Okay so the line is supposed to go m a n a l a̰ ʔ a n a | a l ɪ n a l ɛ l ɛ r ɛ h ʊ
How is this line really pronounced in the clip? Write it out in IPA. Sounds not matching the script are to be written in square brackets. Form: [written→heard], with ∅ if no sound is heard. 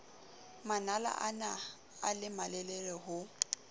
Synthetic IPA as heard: m a n a l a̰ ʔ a n a | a l ɪ [n→m] a l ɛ l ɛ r ɛ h ʊ